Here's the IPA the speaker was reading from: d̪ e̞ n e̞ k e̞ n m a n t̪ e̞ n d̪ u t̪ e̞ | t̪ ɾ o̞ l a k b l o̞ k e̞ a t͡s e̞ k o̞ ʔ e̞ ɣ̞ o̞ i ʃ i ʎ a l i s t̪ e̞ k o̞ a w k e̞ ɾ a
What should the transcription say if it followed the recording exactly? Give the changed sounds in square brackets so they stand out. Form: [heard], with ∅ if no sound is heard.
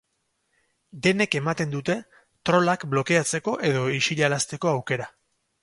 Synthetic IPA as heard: d̪ e̞ n e̞ k e̞ [∅] m a [∅] t̪ e̞ n d̪ u t̪ e̞ | t̪ ɾ o̞ l a k b l o̞ k e̞ a t͡s e̞ k o̞ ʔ e̞ [ð̞] o̞ i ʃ i ʎ a l [a] s t̪ e̞ k o̞ a w k e̞ ɾ a

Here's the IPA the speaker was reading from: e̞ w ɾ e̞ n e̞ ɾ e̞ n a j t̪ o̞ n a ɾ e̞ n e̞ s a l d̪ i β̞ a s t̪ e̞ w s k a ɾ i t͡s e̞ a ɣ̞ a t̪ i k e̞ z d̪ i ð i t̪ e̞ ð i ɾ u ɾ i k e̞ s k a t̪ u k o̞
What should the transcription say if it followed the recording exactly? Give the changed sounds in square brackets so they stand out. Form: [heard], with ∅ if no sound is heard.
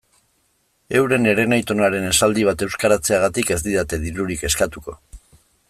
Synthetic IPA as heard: e̞ w ɾ e̞ n e̞ ɾ e̞ n a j t̪ o̞ n a ɾ e̞ n e̞ s a l d̪ i β̞ a [∅] t̪ e̞ w s k a ɾ [a] t͡s e̞ a ɣ̞ a t̪ i k e̞ z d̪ i ð [a] t̪ e̞ ð i ɾ u ɾ i k e̞ s k a t̪ u k o̞

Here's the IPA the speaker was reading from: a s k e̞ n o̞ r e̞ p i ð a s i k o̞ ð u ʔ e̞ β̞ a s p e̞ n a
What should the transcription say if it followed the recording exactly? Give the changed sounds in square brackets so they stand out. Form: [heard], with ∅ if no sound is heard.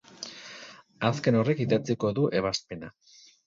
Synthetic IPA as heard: a s k e̞ n o̞ r e̞ [k] i ð a [t͡s] i k o̞ ð u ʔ e̞ β̞ a s p e̞ n a

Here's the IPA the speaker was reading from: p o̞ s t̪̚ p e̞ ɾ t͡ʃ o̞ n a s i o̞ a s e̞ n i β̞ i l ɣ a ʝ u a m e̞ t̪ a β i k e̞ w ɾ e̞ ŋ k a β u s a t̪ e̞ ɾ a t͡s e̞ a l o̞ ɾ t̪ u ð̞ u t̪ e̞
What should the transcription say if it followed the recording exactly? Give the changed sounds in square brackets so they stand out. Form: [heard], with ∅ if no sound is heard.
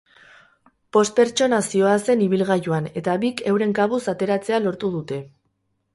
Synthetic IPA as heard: p o̞ s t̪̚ p e̞ ɾ t͡ʃ o̞ n a s i o̞ a s e̞ n i β̞ i l ɣ a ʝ u a [n] e̞ t̪ a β i k e̞ w ɾ e̞ ŋ k a β u s a t̪ e̞ ɾ a t͡s e̞ a l o̞ ɾ t̪ u ð̞ u t̪ e̞

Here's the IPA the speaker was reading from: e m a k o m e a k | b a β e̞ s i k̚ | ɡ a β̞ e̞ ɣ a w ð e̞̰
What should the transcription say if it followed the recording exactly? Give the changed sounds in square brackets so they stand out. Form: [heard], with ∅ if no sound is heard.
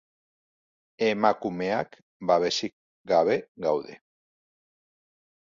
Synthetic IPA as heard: e m a k [u] m e a k | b a β e̞ s i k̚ | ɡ a β̞ e̞ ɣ a w ð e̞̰

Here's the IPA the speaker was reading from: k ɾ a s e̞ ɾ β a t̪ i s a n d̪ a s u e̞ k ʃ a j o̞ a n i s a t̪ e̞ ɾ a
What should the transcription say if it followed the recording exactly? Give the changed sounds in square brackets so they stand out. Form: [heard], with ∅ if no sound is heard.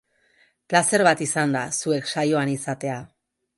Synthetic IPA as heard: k [l] a s e̞ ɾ β a t̪ i s a n d̪ a s u e̞ k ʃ a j o̞ a n i s a t̪ e̞ [∅] a

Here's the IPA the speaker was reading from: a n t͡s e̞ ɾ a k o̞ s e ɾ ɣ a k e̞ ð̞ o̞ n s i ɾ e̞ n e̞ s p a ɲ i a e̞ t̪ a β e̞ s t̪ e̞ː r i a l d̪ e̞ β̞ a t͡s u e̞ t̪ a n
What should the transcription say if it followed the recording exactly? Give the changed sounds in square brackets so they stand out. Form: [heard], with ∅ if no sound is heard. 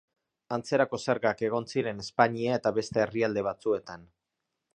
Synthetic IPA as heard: a n t͡s e̞ ɾ a k o̞ s e ɾ ɣ a k e̞ [ɣ̞] o̞ n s i ɾ e̞ n e̞ s p a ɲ i a e̞ t̪ a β e̞ s t̪ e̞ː r i a l d̪ e̞ β̞ a t͡s u e̞ t̪ a n

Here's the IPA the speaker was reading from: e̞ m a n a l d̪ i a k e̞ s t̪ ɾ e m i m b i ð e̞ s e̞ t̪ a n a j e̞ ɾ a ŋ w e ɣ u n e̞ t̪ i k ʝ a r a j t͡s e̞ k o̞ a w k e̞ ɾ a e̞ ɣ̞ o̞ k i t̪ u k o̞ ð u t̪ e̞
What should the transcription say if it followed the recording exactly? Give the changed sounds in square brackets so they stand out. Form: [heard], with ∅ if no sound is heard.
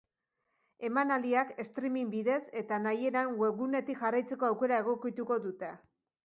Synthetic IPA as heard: e̞ m a n a l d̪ i a k e̞ s t̪ ɾ [i] m i m b i ð e̞ s e̞ t̪ a n a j e̞ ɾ a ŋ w e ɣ u n e̞ t̪ i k ʝ a r a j t͡s e̞ k o̞ a w k e̞ ɾ a e̞ ɣ̞ o̞ k i t̪ u k o̞ ð u t̪ e̞

